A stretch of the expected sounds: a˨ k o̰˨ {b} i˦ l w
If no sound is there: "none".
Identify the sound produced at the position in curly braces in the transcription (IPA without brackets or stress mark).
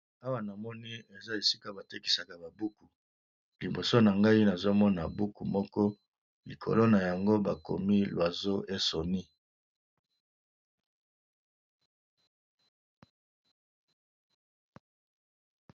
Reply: m